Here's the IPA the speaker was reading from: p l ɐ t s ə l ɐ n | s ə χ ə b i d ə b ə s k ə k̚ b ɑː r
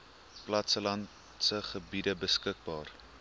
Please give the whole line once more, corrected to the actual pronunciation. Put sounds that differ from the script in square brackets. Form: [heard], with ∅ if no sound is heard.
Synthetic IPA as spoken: p l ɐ t s ə l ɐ n | s ə χ ə b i d ə b ə s k ə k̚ b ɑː r